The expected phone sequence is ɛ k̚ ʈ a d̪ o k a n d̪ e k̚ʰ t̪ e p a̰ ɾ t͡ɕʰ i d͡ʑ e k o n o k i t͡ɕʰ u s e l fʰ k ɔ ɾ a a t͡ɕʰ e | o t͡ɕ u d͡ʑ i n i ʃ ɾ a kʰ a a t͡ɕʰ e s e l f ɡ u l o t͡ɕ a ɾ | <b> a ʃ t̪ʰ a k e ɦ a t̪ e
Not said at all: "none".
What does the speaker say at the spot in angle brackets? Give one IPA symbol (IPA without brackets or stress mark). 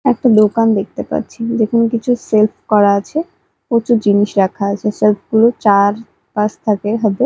p